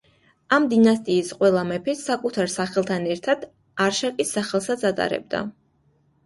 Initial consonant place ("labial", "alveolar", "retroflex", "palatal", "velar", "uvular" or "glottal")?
labial